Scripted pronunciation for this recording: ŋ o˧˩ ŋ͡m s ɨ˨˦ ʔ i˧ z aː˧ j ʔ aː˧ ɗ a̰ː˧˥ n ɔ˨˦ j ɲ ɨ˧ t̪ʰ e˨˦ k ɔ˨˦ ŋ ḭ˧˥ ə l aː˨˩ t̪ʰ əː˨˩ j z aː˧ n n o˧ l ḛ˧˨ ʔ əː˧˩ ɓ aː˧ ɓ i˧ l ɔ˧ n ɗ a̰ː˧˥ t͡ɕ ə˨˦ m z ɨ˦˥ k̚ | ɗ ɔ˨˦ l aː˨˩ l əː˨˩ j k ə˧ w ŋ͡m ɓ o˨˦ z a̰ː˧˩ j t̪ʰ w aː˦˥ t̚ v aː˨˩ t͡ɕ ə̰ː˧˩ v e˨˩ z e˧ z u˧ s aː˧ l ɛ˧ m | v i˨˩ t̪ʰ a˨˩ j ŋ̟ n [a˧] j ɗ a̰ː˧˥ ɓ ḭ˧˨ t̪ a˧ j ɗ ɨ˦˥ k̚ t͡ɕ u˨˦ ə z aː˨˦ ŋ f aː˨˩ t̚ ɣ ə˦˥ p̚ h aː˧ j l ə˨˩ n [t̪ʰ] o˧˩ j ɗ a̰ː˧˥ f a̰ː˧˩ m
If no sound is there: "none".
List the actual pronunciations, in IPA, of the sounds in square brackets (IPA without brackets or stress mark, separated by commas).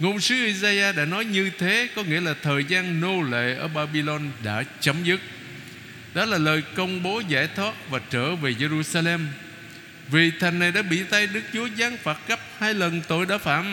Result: a˨˩, t̪